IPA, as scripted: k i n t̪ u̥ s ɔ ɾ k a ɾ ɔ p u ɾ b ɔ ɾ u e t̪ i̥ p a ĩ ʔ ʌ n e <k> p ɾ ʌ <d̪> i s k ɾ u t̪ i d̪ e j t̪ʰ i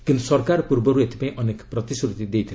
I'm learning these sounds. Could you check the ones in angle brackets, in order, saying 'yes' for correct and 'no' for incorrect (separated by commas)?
yes, no